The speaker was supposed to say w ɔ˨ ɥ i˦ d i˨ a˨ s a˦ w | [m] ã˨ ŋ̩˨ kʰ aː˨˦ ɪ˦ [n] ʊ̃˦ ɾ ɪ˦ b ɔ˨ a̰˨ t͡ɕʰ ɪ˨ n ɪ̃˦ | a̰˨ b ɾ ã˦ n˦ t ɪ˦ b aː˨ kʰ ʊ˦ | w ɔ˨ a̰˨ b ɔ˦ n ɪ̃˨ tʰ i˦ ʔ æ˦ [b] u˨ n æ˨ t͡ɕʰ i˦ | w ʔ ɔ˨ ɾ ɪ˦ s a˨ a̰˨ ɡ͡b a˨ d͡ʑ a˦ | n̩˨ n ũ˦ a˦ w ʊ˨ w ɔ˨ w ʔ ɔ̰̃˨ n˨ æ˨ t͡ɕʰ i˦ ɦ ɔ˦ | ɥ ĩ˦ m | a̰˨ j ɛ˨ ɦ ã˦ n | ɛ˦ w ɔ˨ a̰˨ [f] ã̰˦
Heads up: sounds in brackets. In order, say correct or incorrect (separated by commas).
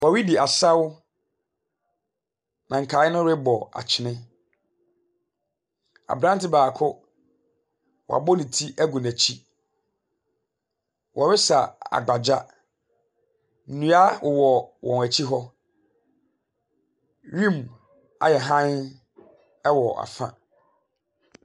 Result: incorrect, correct, incorrect, correct